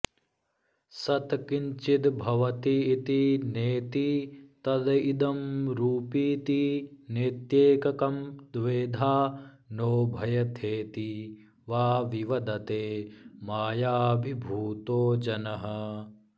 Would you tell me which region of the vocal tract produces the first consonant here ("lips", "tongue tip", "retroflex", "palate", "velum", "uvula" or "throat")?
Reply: tongue tip